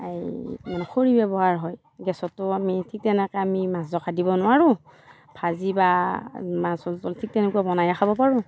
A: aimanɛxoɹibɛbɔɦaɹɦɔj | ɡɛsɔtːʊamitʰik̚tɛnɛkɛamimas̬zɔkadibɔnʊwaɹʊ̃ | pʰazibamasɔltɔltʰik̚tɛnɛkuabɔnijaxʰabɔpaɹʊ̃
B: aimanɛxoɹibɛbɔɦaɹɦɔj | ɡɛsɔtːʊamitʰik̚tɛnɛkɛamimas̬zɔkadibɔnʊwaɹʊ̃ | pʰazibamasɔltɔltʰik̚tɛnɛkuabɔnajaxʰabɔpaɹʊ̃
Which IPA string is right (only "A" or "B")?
B